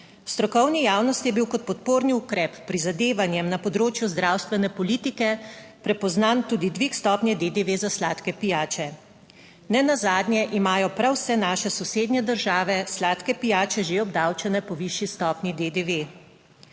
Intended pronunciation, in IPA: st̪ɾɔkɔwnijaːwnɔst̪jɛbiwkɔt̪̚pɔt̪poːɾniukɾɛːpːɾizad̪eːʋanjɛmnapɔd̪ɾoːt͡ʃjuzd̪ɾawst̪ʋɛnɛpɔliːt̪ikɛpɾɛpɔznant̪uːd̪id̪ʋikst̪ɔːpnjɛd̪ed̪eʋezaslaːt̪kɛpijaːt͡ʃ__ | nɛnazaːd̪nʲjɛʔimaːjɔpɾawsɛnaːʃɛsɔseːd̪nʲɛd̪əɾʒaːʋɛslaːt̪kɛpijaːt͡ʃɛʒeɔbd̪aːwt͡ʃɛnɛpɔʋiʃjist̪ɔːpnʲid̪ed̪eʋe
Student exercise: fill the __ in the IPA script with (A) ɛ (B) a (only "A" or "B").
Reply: A